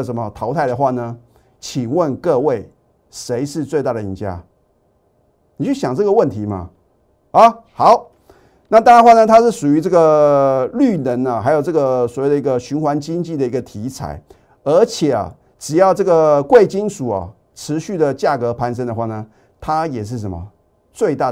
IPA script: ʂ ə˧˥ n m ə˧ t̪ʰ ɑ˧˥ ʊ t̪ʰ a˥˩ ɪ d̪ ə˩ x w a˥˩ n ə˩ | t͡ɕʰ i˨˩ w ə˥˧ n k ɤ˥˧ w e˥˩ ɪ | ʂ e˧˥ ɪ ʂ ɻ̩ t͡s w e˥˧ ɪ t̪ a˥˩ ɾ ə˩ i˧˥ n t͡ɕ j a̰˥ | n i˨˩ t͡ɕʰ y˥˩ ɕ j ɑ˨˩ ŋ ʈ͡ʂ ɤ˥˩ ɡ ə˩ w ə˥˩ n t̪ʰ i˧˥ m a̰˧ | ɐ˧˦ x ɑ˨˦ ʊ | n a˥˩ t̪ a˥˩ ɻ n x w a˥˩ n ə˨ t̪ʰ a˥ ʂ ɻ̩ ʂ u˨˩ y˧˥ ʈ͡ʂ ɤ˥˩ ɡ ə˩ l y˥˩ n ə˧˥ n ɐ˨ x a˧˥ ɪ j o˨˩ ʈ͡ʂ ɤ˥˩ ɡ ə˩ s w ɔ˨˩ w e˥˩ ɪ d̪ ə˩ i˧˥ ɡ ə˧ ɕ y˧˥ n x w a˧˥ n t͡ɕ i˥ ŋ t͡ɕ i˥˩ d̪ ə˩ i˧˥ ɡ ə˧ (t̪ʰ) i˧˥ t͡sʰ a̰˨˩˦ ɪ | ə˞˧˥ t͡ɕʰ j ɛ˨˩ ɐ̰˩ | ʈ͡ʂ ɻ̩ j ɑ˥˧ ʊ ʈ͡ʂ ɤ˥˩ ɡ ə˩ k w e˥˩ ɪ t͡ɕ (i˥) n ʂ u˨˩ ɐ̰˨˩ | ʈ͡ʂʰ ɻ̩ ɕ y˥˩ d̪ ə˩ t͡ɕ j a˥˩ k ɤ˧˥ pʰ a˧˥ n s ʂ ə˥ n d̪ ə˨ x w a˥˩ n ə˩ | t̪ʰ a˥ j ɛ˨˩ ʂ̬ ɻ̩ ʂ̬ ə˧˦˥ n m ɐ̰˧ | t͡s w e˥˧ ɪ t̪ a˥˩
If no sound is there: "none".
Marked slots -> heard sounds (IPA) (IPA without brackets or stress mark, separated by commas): t̪ʰ, i˥